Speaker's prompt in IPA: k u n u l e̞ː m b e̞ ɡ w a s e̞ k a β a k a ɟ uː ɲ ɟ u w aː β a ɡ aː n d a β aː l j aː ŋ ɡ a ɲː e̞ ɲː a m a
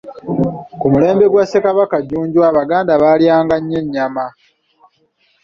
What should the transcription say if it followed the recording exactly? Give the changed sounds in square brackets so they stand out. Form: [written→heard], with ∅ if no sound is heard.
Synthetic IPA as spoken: k u [n→m] u l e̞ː m b e̞ ɡ w a s e̞ k a β a k a ɟ uː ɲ ɟ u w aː β a ɡ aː n d a β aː l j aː ŋ ɡ a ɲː e̞ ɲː a m a